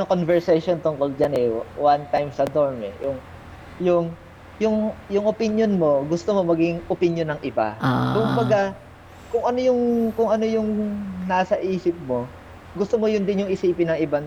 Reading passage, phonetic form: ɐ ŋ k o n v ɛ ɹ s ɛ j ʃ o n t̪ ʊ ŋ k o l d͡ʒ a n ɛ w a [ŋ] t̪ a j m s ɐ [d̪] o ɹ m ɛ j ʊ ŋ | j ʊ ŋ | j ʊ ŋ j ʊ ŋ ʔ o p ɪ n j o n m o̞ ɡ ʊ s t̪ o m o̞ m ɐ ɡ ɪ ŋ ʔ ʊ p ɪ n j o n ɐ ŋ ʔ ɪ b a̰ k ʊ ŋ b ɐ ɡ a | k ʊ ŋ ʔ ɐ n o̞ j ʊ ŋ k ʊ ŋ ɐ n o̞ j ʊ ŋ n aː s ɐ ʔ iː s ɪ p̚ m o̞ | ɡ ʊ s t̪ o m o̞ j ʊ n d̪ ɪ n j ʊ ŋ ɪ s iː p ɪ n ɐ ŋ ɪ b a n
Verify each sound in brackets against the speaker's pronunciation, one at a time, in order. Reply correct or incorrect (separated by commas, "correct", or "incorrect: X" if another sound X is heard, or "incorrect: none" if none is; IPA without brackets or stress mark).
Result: incorrect: n, correct